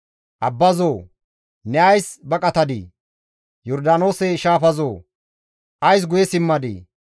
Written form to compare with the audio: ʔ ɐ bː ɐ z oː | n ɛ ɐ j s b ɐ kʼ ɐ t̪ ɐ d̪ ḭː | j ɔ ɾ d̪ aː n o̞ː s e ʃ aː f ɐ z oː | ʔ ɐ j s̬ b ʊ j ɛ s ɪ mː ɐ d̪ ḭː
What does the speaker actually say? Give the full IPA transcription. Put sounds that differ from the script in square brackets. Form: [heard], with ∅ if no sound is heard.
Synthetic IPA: ʔ ɐ bː ɐ z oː | n ɛ ɐ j s b ɐ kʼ ɐ t̪ ɐ d̪ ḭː | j ɔ ɾ d̪ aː n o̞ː s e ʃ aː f ɐ z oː | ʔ ɐ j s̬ [ɡ] ʊ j ɛ s ɪ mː ɐ d̪ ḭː